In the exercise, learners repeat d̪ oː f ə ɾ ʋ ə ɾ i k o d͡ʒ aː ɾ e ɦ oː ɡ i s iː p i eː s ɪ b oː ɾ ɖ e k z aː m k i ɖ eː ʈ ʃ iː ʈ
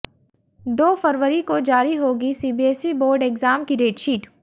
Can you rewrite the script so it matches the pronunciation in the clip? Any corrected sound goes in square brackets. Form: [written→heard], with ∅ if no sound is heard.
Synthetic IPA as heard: d̪ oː f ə ɾ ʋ ə ɾ i k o d͡ʒ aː ɾ [e→i] ɦ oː ɡ i s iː [p→b] i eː s [ɪ→i] b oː ɾ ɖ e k z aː m k i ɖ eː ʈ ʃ iː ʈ

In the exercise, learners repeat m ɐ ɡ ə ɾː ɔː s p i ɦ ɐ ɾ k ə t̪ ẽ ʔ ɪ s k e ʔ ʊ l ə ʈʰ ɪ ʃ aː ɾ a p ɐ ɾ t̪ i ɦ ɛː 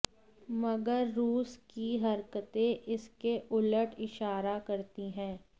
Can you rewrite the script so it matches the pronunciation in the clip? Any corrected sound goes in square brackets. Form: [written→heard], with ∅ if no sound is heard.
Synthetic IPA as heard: m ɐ ɡ ə ɾː [ɔː→uː] s [p→k] i ɦ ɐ ɾ k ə t̪ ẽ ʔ ɪ s k e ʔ ʊ l ə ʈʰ ɪ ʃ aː ɾ a [p→k] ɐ ɾ t̪ i ɦ [ɛː→ɛ̃ː]

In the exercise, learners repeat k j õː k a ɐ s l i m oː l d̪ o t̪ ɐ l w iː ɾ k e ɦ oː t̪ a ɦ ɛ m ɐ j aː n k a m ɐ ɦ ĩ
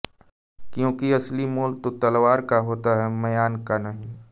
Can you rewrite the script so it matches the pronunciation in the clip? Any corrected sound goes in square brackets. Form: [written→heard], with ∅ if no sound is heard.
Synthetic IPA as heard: k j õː k [a→i] ɐ s l i m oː l [d̪→t̪] o t̪ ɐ l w [iː→aː] ɾ k [e→a] ɦ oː t̪ a ɦ ɛ m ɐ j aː n k a [m→n] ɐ ɦ ĩ

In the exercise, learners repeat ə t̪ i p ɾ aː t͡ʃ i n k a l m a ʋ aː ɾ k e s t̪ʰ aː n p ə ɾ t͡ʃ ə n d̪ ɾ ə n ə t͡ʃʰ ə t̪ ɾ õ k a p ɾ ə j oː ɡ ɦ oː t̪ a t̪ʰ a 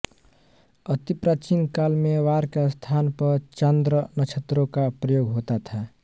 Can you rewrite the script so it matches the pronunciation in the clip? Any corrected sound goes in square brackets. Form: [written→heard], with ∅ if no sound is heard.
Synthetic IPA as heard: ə t̪ i p ɾ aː t͡ʃ i n k a l m [a→e] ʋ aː ɾ k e s t̪ʰ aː n p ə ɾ t͡ʃ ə n d̪ ɾ ə n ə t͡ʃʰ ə t̪ ɾ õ k a p ɾ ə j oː ɡ ɦ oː t̪ a t̪ʰ a

